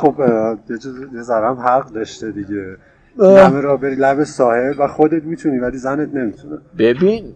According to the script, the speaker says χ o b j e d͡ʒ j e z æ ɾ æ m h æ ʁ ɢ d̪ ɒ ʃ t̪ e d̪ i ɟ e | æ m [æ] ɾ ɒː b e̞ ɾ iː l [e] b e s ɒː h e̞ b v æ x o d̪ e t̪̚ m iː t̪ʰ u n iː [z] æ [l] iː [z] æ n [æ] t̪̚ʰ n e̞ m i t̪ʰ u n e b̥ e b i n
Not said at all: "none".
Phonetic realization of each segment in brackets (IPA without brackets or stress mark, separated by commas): e, æ, v, l, z, e